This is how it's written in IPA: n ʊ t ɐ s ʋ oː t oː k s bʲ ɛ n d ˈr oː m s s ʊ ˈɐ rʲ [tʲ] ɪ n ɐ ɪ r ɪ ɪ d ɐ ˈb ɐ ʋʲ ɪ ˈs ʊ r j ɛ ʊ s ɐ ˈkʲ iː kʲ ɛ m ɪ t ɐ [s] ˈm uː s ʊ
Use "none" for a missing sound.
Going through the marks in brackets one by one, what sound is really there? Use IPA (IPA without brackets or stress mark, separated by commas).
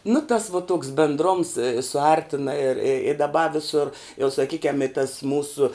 tʲ, s